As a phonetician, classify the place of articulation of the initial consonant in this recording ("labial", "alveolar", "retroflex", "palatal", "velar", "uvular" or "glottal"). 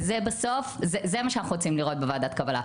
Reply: alveolar